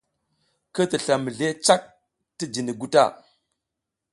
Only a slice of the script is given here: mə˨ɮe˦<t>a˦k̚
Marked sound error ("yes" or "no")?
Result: yes